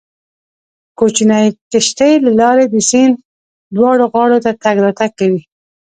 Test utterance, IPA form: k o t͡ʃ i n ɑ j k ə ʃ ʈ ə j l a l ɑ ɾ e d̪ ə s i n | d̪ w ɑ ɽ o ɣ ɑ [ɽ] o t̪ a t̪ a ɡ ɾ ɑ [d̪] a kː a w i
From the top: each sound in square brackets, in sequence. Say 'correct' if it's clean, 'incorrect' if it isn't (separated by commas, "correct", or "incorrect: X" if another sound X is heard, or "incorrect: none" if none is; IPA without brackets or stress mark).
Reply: correct, incorrect: t̪